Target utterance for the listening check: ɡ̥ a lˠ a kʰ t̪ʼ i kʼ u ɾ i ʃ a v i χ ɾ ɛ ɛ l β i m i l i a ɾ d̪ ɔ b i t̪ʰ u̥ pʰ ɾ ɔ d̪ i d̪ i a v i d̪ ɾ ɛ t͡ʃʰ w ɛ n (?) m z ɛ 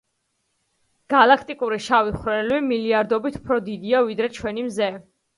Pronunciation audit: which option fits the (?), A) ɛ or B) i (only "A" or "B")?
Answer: B